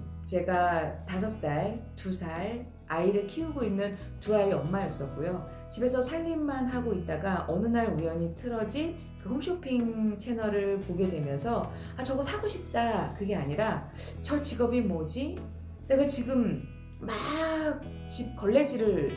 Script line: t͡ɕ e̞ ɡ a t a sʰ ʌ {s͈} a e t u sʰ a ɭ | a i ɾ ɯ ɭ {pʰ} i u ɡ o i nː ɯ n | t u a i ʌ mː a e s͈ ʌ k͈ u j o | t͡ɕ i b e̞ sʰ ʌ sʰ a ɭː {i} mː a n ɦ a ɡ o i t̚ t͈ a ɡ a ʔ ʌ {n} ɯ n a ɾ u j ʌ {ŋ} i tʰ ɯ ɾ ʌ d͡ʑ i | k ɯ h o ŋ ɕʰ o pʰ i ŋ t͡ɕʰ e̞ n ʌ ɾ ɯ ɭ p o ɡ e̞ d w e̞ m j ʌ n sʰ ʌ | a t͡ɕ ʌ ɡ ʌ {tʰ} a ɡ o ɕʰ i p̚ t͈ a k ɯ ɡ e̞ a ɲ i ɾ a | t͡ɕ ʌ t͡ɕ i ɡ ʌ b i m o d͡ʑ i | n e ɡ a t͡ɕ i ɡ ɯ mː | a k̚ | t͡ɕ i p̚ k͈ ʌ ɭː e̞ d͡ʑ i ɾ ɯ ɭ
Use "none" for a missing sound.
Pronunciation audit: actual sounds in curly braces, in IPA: s͈, kʰ, i, n, ɲ, sʰ

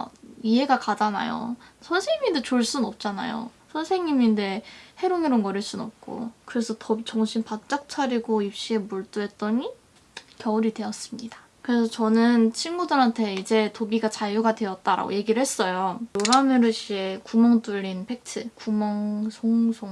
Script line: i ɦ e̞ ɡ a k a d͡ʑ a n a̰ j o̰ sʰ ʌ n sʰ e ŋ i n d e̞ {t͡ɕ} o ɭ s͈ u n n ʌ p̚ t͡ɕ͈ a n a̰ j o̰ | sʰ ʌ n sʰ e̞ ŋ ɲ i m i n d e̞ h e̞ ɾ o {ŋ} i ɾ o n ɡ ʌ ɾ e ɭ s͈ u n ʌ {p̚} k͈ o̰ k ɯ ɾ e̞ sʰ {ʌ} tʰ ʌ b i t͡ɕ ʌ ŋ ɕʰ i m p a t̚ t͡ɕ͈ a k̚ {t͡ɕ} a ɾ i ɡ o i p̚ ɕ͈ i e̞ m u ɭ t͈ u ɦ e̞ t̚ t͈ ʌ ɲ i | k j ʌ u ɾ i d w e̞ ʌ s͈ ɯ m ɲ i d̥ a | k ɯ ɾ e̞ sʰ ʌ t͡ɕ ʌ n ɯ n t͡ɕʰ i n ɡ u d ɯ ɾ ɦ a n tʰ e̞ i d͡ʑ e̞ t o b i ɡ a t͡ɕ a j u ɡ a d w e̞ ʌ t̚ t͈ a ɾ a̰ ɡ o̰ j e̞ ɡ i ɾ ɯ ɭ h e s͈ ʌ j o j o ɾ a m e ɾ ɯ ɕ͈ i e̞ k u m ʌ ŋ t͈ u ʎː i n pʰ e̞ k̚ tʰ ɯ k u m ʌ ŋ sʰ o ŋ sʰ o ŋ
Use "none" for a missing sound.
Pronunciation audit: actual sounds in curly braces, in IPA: t͡ɕ, ŋ, p̚, ʌ, t͡ɕʰ

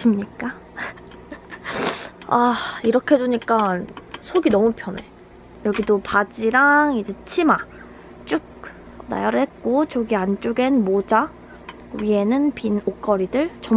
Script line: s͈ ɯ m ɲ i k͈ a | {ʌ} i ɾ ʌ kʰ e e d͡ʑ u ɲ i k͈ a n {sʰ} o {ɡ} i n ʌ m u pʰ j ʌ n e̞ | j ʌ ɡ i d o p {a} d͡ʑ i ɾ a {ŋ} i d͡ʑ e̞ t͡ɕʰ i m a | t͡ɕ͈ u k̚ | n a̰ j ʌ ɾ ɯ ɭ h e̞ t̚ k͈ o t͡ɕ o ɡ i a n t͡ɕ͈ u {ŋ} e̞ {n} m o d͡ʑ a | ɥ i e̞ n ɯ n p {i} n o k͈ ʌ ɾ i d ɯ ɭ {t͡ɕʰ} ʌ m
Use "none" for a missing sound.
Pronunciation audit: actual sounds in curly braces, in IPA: a, sʰ, ɡ, a, ŋ, ɡ, n, i, t͡ɕ

